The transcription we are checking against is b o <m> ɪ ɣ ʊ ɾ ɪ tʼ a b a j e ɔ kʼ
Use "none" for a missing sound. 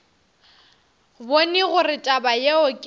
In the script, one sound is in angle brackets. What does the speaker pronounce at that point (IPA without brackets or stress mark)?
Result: n